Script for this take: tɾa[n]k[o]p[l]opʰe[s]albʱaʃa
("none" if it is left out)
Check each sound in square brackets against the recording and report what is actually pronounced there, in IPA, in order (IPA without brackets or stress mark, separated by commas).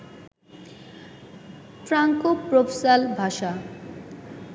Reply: ŋ, o, ɾ, s